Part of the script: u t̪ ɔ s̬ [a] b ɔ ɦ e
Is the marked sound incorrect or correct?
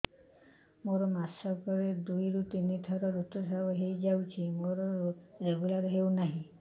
correct